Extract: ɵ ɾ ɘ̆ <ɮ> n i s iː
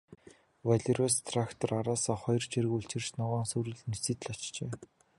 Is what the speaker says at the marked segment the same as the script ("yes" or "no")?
yes